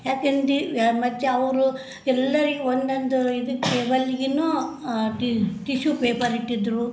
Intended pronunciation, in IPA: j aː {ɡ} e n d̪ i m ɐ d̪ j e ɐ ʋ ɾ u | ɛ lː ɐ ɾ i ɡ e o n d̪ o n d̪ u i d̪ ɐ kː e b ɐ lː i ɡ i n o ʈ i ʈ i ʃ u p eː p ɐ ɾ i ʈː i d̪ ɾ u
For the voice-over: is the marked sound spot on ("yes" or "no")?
no